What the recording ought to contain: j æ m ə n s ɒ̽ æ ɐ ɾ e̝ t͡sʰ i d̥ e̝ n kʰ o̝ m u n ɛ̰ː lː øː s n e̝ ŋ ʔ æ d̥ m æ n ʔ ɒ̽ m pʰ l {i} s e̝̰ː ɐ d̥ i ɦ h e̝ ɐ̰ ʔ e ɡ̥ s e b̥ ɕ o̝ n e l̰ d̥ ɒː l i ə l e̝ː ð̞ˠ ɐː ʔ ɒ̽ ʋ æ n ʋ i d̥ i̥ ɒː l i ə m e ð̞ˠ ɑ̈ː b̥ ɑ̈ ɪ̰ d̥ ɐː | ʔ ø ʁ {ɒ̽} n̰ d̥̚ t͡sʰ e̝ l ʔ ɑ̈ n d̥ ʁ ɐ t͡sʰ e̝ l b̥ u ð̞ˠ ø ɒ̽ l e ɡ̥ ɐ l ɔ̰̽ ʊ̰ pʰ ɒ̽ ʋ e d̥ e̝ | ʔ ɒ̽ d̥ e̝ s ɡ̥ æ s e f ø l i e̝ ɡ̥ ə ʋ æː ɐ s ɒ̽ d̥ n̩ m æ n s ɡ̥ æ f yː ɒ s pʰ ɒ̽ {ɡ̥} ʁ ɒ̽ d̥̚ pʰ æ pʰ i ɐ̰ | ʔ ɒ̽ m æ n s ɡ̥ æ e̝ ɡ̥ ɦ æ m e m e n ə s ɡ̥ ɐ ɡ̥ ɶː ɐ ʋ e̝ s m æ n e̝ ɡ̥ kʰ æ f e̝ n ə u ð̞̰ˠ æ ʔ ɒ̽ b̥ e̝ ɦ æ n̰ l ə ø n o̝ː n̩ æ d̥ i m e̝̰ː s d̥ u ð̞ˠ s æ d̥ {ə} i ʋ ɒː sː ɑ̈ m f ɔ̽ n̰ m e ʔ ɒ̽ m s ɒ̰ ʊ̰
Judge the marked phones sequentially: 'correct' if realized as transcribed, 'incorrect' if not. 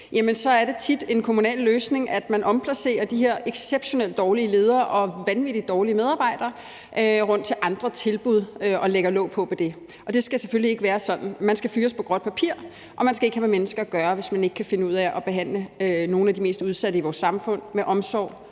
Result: incorrect, incorrect, correct, correct

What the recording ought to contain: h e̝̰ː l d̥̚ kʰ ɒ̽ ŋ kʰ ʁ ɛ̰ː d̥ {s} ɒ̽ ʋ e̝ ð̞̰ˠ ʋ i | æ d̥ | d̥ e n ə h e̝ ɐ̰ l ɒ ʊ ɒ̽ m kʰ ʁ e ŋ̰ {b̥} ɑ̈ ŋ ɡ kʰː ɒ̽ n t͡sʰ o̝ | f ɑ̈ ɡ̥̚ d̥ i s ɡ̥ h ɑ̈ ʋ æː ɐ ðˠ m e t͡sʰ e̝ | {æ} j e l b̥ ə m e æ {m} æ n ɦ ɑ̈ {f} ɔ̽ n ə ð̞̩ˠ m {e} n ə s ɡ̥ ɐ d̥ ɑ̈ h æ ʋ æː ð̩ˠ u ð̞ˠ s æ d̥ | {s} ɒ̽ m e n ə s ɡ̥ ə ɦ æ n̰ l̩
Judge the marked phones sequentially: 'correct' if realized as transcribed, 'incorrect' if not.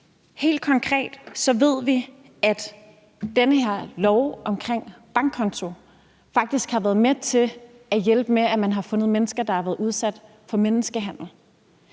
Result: correct, correct, correct, correct, correct, correct, incorrect

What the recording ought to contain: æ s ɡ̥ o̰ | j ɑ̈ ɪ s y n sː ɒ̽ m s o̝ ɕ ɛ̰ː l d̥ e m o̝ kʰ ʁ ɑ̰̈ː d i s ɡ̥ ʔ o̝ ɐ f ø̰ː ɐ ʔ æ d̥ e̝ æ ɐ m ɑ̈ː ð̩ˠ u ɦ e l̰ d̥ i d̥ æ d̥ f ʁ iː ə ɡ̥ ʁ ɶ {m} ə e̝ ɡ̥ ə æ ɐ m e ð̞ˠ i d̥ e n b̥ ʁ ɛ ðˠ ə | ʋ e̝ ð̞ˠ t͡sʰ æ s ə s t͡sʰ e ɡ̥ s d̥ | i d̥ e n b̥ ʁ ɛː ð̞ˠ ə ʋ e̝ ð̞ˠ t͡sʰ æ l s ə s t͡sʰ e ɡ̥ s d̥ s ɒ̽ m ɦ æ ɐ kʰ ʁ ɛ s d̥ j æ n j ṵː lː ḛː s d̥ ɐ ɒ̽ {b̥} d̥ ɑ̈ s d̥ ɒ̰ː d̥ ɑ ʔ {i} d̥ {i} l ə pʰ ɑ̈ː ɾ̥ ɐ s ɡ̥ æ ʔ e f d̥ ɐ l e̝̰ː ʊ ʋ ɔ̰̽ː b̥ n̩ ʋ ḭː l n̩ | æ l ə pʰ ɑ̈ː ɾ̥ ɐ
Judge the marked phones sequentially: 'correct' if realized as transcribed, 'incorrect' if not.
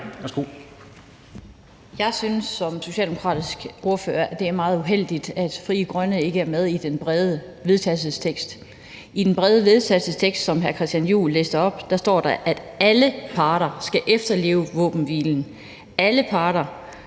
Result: incorrect, correct, incorrect, incorrect

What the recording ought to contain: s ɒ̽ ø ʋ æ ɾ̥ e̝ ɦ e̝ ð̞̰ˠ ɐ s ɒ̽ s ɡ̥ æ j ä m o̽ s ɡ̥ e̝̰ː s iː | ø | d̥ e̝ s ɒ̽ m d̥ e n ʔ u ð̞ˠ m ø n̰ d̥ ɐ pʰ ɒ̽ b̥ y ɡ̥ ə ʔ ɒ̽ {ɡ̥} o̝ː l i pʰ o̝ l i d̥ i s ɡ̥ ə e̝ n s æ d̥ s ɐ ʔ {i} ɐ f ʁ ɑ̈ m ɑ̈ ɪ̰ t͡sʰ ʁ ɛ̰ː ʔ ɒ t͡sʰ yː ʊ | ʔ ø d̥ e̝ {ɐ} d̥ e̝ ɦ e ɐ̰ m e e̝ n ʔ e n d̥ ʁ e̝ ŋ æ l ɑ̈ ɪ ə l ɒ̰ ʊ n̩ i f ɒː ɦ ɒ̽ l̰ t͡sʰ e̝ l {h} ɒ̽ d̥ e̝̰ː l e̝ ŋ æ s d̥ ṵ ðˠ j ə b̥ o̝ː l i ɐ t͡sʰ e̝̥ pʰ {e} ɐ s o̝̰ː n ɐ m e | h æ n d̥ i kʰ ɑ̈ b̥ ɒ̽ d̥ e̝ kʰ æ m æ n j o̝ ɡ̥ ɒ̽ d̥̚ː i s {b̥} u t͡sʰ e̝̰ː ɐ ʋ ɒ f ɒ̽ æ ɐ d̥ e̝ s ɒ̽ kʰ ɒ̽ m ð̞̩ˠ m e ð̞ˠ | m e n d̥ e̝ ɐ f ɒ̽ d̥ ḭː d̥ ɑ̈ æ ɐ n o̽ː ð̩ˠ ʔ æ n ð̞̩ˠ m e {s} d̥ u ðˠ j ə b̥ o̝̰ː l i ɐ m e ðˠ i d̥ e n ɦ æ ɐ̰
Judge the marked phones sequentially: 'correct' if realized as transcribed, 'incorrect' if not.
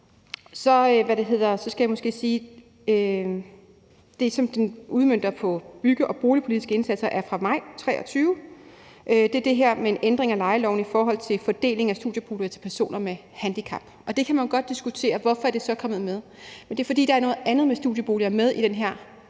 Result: incorrect, incorrect, correct, incorrect, incorrect, incorrect, correct

